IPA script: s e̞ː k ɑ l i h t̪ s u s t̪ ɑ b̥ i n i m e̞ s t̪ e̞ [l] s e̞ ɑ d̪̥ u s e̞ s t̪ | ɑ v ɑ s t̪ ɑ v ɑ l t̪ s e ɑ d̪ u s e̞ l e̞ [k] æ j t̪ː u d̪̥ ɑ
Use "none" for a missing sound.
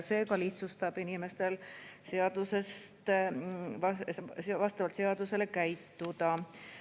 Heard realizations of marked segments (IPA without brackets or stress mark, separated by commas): l, k